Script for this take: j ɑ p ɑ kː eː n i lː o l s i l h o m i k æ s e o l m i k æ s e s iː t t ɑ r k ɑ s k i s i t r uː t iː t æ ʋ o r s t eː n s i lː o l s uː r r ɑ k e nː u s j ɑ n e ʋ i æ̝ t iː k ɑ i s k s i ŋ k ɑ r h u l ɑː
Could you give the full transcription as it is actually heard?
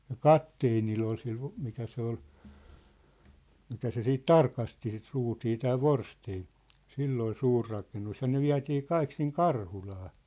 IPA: j ɑ k ɑ tː eː n i lː o l s i l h o m i k æ s e o l m i k æ s e s iː t t ɑ r k ɑ s t i s i t r uː t iː t æː ʋ o r s t eː n s i lː o l s uː r r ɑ k e nː u s j ɑ n e ʋ i æ̝ t iː k ɑ i k s i ŋ k ɑ r h u l ɑː